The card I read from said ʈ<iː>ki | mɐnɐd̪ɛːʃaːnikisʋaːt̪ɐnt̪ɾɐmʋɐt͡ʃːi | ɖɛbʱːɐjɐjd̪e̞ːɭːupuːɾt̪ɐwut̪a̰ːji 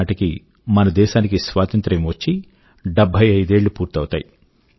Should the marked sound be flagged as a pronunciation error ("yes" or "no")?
yes